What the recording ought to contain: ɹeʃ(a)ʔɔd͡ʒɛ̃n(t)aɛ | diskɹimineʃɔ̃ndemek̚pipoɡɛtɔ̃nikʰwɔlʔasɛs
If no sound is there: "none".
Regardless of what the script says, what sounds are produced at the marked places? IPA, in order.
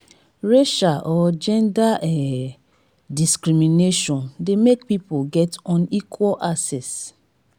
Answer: a, d

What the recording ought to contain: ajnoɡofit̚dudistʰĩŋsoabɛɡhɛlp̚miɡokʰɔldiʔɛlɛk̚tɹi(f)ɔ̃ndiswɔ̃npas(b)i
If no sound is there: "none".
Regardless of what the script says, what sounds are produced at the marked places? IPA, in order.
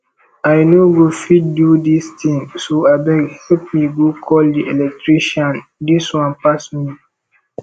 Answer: ʃ, m

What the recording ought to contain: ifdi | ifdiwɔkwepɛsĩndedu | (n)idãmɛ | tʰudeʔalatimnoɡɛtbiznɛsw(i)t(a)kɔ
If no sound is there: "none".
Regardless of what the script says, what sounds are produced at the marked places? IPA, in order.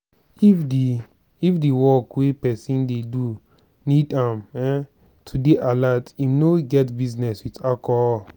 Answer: n, i, a

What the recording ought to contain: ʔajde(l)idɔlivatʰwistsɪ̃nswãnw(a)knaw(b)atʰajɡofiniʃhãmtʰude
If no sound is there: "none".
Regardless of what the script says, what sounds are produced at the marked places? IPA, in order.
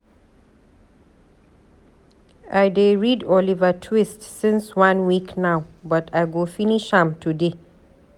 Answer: ɹ, i, b

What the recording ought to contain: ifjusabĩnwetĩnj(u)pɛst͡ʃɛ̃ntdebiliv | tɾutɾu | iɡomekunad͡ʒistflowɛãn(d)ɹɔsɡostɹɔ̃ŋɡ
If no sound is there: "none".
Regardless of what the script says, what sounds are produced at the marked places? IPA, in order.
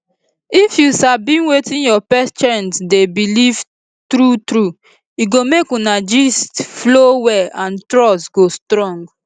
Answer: ɔ, t

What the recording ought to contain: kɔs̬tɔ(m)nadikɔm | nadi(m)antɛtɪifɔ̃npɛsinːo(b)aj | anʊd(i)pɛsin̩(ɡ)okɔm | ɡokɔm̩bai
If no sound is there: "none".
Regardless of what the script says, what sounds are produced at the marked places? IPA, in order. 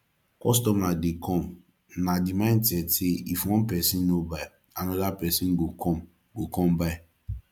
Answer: m, m, b, a, ɡ

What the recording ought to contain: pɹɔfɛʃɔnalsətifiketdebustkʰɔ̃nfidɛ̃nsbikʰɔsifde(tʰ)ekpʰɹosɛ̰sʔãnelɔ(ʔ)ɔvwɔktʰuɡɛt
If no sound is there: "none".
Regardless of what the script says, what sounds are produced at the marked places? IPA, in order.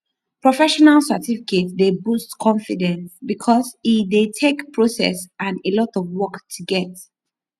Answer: tʰ, t

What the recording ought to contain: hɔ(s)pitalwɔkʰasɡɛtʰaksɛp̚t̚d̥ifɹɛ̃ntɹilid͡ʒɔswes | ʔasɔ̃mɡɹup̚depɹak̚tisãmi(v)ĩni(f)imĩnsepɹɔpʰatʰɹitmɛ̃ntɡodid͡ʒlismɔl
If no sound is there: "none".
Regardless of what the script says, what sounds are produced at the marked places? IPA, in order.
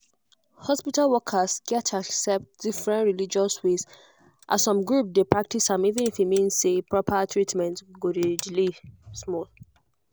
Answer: s, v, f

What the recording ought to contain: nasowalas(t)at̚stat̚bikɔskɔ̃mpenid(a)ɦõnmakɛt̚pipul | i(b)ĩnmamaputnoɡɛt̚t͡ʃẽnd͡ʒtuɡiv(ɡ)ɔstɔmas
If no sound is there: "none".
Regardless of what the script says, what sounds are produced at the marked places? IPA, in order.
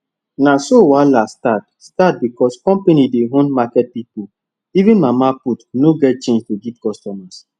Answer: t, e, v, k

